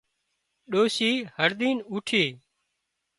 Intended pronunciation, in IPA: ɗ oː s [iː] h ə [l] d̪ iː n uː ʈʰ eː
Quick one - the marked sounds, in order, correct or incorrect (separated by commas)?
correct, incorrect